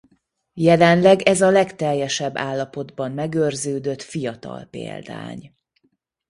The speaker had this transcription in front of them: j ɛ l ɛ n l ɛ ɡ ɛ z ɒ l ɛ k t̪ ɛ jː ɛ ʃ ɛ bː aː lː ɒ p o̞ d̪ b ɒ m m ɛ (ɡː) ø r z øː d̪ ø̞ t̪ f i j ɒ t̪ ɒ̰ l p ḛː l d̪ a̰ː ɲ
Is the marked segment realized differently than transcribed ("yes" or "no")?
yes